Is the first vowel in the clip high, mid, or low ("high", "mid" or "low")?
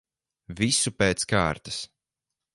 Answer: high